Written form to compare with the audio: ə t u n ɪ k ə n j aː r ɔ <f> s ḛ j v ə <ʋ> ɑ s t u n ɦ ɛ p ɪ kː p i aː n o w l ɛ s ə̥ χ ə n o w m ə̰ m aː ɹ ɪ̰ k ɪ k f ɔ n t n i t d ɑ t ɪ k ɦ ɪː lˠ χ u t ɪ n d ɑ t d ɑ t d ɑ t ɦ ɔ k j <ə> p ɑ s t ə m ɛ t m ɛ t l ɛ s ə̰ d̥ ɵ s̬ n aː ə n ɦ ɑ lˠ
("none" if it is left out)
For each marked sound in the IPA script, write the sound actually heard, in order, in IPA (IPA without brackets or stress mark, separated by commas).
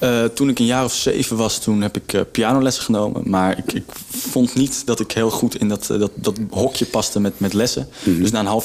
f, ʋ, ə